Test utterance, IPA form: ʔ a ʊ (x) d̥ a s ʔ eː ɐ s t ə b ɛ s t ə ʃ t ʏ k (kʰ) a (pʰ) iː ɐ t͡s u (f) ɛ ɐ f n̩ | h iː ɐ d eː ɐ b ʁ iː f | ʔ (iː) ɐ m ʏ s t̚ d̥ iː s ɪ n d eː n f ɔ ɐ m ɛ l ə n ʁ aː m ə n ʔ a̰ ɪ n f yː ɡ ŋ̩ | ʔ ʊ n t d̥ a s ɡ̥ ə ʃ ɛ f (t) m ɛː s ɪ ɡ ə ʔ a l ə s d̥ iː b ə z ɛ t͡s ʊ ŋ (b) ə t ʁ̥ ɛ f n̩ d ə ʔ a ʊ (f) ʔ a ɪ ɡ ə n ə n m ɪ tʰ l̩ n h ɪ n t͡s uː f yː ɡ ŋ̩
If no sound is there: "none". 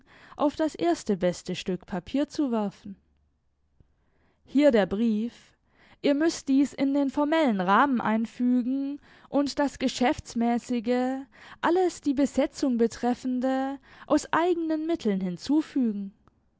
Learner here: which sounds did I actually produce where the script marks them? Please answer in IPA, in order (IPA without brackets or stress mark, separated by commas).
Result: f, pʰ, pʰ, v, iː, t͡s, b, s